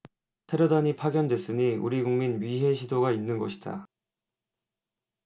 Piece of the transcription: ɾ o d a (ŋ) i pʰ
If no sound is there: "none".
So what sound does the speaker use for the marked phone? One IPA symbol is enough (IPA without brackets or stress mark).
ɲ